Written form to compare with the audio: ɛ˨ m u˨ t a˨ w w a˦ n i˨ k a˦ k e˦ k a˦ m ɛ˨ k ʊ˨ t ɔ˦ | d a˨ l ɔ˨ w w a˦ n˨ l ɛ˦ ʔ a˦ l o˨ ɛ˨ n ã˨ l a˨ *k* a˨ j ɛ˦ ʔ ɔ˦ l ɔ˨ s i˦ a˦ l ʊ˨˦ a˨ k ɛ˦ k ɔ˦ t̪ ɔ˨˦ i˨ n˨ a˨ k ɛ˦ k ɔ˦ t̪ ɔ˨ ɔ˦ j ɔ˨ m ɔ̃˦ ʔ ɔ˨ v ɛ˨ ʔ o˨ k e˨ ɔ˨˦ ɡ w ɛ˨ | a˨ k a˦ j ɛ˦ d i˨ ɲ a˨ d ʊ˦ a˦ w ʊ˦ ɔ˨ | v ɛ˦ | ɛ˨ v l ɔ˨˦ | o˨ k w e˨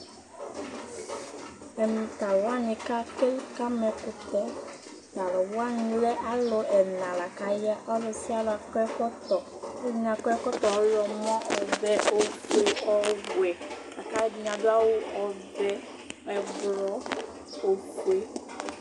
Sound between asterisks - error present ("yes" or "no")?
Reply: no